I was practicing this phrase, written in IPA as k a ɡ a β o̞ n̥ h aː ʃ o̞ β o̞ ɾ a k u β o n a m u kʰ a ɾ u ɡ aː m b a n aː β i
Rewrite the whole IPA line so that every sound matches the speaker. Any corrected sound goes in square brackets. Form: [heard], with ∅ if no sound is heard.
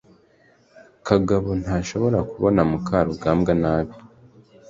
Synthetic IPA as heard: k a ɡ a β o̞ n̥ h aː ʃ o̞ β o̞ ɾ a k u β o n a m u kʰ a ɾ u ɡ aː m [ɡ] a n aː β i

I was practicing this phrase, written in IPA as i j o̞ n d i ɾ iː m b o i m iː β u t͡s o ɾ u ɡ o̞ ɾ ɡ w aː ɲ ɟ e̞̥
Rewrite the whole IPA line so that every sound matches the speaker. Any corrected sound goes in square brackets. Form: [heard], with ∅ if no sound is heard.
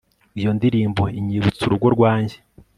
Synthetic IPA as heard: i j o̞ n d i ɾ iː m b o i [ɲ] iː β u t͡s [u] ɾ u ɡ o̞ ɾ ɡ w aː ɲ ɟ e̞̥

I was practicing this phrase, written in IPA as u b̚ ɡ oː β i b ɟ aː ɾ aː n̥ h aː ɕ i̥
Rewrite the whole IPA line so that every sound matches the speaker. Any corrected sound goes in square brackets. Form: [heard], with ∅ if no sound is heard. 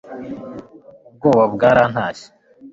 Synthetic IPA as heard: u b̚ ɡ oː β [a] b [ɡ] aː ɾ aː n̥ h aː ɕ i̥

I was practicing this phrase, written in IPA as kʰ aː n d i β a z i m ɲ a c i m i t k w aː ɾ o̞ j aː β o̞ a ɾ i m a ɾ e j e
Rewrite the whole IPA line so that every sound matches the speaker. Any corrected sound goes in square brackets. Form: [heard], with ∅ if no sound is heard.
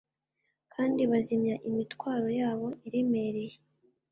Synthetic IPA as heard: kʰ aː n d i β a z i m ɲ a [ʔ] i m i t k w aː ɾ o̞ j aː β o̞ [i] ɾ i m [e] ɾ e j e

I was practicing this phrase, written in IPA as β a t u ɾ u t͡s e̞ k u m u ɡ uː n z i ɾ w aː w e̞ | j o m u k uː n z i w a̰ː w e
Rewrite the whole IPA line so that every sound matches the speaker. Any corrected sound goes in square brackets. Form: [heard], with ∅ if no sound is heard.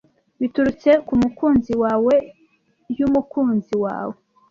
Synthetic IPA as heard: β [i] t u ɾ u t͡s e̞ k u m u [k] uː n z i [∅] w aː w e̞ | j [u] m u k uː n z i w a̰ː w e

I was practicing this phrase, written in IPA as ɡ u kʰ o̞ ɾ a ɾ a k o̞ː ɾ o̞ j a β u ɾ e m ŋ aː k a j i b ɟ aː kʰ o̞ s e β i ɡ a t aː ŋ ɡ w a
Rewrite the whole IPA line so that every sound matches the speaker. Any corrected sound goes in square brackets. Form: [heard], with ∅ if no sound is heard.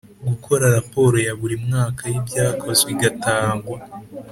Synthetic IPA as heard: ɡ u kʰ o̞ ɾ a ɾ a [p] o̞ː ɾ o̞ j a β u ɾ [i] m ŋ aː k a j i b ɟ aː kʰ o̞ [z] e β i ɡ a t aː ŋ ɡ w a

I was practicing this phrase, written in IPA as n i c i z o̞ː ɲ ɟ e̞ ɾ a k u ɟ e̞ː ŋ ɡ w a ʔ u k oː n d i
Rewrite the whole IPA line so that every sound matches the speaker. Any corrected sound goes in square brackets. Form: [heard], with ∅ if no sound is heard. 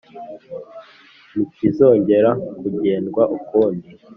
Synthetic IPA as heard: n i [k] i z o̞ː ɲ ɟ e̞ ɾ a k u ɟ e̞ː [n] ɡ w a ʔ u k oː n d i

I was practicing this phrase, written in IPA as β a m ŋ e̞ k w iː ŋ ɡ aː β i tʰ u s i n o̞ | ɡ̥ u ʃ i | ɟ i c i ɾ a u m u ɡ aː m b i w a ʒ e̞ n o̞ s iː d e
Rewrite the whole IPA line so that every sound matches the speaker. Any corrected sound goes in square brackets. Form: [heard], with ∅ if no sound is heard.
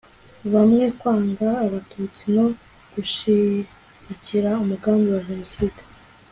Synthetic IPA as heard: β a m ŋ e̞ k w [aː] ŋ ɡ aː β [a] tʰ u [t͡s] i n o̞ | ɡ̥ u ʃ i | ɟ i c i ɾ a u m u ɡ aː m b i w a ʒ e̞ n o̞ s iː d e

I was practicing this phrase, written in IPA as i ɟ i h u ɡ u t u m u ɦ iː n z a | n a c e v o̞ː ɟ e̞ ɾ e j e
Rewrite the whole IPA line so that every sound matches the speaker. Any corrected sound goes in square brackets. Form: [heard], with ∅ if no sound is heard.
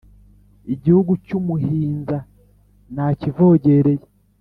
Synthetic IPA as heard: i ɟ i h u ɡ u [c] u m u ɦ iː n z a | n a c [i] v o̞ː ɟ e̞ ɾ e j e

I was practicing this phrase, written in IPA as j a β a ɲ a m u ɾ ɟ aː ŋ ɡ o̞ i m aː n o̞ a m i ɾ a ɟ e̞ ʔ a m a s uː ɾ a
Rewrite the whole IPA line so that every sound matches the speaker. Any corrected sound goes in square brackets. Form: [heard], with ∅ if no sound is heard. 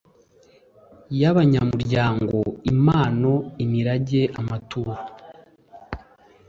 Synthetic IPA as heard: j a β a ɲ a m u ɾ ɟ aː ŋ ɡ o̞ i m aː n o̞ [i] m i ɾ a ɟ e̞ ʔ a m a [t] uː ɾ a

